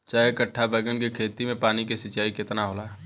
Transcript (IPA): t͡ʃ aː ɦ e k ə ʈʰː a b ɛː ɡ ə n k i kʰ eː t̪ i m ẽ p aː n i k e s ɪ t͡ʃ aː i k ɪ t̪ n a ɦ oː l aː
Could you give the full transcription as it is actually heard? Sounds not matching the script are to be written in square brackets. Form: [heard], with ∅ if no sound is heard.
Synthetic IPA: t͡ʃ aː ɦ e k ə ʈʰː a b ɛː ɡ ə n k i kʰ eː t̪ i m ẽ p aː n i k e s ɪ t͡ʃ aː i k ɪ t̪ n a ɦ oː l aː